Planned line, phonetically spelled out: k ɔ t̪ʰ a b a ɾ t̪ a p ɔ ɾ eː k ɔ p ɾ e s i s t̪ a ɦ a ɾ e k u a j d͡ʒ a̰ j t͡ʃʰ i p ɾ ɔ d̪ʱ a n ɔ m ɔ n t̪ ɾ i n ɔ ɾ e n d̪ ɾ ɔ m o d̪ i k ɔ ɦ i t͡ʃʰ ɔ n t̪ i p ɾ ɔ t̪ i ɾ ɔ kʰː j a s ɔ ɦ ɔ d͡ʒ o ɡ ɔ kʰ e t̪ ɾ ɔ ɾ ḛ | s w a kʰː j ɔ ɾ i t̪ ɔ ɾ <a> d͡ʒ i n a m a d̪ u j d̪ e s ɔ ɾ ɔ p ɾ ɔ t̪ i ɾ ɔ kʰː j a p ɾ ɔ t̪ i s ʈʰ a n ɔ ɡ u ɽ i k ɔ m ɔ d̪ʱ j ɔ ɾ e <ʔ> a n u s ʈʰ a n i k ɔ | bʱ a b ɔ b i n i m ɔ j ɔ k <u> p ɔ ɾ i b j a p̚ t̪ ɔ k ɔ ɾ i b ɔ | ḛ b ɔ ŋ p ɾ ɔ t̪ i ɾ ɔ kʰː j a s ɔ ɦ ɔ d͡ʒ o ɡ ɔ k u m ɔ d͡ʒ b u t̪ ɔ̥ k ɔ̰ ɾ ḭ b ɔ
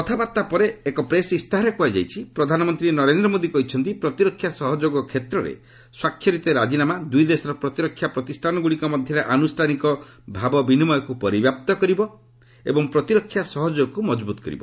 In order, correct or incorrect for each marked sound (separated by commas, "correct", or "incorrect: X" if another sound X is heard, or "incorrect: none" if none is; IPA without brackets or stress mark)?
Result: correct, correct, correct